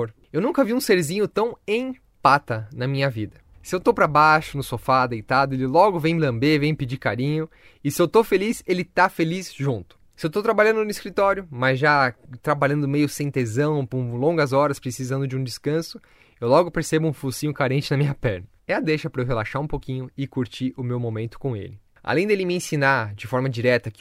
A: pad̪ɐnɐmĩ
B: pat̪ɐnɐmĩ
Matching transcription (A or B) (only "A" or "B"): B